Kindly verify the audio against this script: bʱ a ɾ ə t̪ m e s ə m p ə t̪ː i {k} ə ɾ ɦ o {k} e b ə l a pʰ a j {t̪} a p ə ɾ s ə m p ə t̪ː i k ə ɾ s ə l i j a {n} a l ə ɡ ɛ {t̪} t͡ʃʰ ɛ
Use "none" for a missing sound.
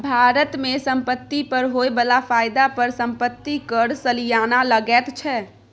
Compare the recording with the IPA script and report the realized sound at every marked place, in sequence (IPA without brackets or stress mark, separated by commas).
p, none, d̪, n, t̪